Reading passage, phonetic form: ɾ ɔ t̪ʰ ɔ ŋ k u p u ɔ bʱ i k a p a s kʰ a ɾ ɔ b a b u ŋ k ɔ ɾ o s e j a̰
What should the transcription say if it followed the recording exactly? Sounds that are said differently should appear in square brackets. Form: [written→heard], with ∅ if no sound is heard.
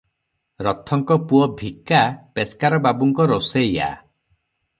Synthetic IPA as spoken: ɾ ɔ t̪ʰ ɔ ŋ k [u→ɔ] p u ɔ bʱ i k a p [a→e] s [kʰ→k] a ɾ ɔ b a b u ŋ k ɔ ɾ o s e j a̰